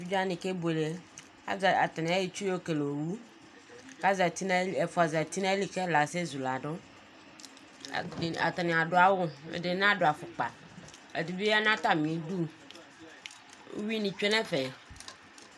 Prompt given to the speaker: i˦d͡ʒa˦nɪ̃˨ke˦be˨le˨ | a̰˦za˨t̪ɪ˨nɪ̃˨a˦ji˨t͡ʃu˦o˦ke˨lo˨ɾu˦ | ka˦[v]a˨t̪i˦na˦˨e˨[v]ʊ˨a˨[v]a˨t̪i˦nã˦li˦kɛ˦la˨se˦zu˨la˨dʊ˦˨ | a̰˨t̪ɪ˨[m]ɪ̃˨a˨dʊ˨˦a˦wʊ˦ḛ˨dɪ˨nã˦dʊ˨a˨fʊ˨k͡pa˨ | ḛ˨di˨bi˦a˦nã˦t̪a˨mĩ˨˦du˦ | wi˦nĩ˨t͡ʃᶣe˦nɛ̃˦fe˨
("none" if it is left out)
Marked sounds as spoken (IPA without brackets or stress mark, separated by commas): z, f, z, n